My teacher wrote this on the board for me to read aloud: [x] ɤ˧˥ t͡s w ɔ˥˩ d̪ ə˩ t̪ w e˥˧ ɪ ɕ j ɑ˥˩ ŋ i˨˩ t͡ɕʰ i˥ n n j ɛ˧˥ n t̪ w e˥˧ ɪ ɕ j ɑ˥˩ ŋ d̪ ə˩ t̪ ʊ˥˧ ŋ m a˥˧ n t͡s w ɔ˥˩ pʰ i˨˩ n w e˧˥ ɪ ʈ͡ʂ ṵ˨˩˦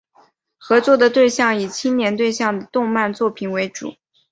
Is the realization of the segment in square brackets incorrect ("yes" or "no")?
no